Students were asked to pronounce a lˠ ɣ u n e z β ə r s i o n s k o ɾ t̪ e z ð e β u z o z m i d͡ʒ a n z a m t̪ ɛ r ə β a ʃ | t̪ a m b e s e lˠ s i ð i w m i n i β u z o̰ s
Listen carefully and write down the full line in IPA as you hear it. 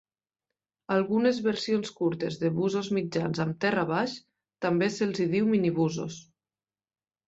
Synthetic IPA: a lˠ ɣ u n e z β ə ɾ s i o n s k u ɾ t̪ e z ð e β u z o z m i d͡ʒ a n z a m t̪ ɛ r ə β a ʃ | t̪ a m b e s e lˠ z i ð i w m i n i β u z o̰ s